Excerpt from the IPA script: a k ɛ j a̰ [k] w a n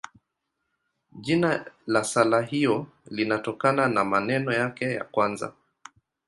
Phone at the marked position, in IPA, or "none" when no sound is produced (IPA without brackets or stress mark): k